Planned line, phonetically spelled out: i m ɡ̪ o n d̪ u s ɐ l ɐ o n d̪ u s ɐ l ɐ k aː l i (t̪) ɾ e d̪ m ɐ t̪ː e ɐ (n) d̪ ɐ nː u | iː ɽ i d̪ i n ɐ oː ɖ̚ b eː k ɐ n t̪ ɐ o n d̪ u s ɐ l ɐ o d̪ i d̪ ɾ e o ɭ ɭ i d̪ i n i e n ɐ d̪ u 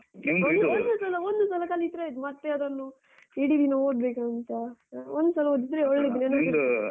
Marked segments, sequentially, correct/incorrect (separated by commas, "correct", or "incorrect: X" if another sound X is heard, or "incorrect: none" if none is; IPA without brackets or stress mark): correct, incorrect: none